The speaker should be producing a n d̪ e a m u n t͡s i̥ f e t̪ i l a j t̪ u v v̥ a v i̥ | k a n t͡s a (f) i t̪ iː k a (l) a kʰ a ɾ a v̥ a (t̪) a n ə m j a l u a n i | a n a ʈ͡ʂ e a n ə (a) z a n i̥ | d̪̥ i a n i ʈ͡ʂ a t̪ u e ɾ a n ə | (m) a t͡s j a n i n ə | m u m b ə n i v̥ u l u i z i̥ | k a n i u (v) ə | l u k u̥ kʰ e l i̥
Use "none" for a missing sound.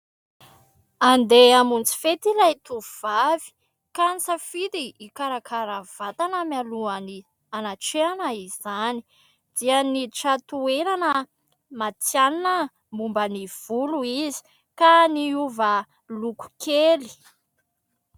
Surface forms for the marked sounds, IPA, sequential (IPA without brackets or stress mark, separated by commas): f, ɾ, t̪, i, m, v